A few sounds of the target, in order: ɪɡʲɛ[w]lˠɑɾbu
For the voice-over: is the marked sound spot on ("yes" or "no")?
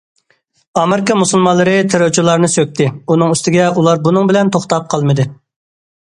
no